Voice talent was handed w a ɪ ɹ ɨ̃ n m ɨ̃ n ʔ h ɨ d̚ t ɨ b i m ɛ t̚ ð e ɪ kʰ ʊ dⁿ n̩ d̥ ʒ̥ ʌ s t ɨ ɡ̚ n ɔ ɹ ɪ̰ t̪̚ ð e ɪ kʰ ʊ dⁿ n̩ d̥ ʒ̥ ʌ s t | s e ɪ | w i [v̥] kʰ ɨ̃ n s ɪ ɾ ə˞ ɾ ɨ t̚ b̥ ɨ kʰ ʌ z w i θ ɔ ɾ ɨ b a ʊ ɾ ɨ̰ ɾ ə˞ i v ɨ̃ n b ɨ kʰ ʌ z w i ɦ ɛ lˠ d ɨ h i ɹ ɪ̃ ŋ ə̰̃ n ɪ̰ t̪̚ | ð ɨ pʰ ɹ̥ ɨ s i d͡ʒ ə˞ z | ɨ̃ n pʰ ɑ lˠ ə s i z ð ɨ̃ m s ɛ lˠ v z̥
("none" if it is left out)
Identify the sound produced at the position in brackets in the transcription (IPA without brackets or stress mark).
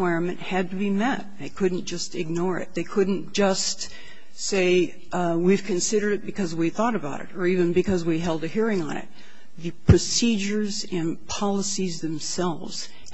v̥